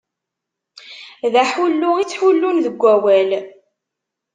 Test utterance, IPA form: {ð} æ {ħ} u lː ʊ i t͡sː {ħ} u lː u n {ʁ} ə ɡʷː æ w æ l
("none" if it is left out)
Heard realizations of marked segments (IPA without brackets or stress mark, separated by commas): ð, ħ, ħ, ð